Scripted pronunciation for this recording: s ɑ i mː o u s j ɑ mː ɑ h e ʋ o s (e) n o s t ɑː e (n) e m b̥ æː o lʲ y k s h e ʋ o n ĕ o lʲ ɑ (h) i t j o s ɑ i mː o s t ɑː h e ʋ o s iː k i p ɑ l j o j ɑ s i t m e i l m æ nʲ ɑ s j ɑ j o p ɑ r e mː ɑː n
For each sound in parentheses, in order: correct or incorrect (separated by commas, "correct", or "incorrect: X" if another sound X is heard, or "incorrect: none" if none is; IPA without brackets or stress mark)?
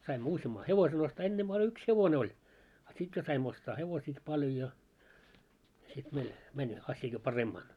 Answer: correct, incorrect: nː, incorrect: s